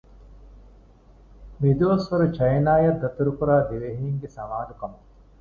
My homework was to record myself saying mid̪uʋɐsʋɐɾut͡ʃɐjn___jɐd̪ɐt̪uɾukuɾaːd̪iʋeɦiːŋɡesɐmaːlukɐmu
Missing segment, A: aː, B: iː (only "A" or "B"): A